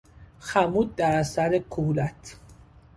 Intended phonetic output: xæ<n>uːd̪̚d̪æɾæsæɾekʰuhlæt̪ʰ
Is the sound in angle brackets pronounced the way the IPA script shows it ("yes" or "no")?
no